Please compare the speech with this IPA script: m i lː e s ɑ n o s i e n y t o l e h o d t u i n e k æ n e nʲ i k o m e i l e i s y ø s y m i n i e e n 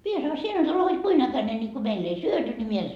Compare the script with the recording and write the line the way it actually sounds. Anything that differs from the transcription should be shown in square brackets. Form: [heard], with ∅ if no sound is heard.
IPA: m i [∅] e s ɑ n o s i e n y t o l e h o d [k] u i n [æ] k æ n e nʲ i k o m e i [lː] e i s y ø [t] y [n] i [m] i e e n